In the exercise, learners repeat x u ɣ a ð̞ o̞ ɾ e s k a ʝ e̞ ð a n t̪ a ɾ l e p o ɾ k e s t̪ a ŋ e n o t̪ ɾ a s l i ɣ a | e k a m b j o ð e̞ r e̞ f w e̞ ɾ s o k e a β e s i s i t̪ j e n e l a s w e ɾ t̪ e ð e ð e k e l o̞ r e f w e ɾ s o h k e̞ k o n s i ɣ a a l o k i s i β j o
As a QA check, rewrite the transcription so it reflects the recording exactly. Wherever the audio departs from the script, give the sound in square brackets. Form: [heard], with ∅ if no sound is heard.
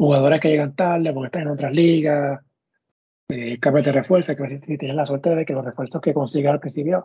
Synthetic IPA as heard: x u ɣ a ð̞ o̞ ɾ e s k [e] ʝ e̞ [ɣ] a n t̪ a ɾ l e p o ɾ k e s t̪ a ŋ e n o t̪ ɾ a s l i ɣ a | e k a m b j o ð e̞ r e̞ f w e̞ ɾ s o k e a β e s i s i t̪ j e n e l a s w e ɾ t̪ e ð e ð e k e l o̞ r e f w e ɾ s o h k e̞ k o n s i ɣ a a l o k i s i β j o